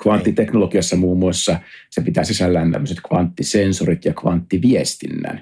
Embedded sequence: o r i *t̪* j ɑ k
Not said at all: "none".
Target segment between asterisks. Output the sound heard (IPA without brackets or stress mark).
t̪